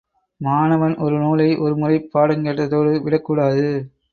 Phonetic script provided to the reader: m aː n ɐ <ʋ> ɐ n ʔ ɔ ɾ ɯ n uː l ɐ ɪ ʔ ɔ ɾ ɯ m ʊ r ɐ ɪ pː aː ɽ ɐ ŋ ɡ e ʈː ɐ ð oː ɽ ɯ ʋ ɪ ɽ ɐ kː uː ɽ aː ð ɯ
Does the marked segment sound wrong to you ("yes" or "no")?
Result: no